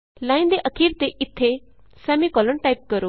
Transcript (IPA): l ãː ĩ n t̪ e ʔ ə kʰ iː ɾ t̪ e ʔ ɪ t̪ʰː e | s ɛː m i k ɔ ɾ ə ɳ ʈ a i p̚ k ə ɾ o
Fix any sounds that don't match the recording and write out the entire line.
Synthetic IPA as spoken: l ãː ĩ n d̪ e ʔ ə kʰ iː ɾ t̪ e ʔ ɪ t̪ʰː e | s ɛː m i k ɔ l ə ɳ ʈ a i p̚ k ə ɾ o